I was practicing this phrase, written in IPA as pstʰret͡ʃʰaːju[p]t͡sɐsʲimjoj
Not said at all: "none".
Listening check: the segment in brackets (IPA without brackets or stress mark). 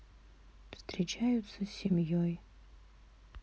none